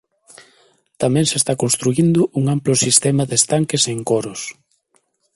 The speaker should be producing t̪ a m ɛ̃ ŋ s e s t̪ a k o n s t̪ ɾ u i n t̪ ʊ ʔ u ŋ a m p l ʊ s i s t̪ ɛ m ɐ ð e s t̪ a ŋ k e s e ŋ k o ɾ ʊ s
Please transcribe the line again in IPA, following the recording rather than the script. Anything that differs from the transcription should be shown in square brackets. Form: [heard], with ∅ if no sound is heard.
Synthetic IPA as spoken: t̪ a m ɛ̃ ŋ s e s t̪ a k o n s t̪ ɾ u i n [d̪] ʊ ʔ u ŋ a m p l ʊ s i s t̪ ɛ m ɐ ð e s t̪ a ŋ k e s e ŋ k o ɾ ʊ s